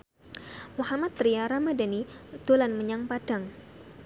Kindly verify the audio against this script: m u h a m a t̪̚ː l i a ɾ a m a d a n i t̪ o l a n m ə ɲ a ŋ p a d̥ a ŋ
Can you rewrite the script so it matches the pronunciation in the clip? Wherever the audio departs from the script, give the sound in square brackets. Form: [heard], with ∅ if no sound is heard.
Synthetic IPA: m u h a m a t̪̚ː [ɾ] i a ɾ a m a d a n i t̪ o l a n m ə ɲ a ŋ p a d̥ a ŋ